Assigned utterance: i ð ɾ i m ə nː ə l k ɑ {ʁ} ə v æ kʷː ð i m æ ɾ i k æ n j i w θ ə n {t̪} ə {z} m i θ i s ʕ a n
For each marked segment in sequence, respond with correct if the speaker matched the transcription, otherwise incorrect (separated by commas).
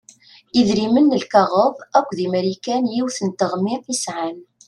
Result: correct, correct, incorrect